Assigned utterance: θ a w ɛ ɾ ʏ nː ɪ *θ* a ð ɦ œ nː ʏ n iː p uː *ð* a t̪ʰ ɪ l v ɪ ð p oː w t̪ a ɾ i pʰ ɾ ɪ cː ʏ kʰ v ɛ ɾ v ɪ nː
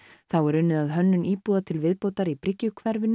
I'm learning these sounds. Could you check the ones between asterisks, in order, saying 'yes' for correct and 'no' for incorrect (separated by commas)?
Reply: no, yes